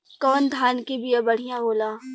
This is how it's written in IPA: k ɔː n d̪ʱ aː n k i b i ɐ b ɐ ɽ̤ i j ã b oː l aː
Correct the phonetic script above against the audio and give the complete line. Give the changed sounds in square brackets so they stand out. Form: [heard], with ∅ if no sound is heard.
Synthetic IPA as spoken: k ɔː n d̪ʱ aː n k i b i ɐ b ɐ ɽ̤ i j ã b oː l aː